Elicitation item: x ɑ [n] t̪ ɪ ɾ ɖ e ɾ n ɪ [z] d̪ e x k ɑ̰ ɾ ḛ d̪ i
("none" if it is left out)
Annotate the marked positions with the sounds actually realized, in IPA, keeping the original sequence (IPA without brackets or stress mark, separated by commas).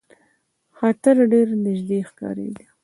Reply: none, ʒ